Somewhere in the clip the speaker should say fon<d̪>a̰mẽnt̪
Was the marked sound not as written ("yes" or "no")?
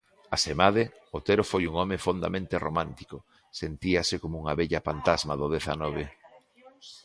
no